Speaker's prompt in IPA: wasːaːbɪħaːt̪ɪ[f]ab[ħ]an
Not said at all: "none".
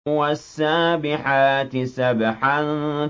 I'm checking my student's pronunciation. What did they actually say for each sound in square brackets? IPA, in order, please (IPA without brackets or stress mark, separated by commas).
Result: s, ħ